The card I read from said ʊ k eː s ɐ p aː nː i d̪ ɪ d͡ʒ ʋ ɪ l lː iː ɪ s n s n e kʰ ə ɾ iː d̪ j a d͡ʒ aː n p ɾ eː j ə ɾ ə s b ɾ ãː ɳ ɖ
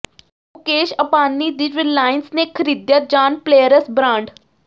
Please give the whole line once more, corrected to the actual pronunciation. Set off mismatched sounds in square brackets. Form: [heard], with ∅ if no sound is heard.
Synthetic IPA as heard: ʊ k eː [ʃ] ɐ p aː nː i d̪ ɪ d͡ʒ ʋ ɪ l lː [aː] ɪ [∅] n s n e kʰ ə ɾ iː d̪ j a d͡ʒ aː n p [l] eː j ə ɾ ə s b ɾ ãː ɳ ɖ